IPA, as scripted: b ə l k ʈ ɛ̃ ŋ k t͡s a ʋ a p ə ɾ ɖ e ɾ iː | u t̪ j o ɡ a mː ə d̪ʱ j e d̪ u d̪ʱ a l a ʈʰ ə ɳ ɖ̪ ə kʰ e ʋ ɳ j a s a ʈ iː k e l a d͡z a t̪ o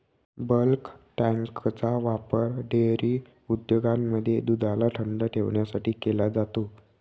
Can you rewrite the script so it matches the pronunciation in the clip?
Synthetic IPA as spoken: b ə l k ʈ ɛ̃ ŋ k t͡s a ʋ a p ə ɾ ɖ e ɾ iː | u d̪ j o ɡ a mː ə d̪ʱ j e d̪ u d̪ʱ a l a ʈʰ ə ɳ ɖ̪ ə ʈʰ e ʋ ɳ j a s a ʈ iː k e l a d͡z a t̪ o